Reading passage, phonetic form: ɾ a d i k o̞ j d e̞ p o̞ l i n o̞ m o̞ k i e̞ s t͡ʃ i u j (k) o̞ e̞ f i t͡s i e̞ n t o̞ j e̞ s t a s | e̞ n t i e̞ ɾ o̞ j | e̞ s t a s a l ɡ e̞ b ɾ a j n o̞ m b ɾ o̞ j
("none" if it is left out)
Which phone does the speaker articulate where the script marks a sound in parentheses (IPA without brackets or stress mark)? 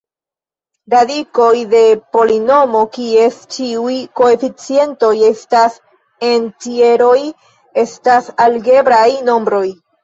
k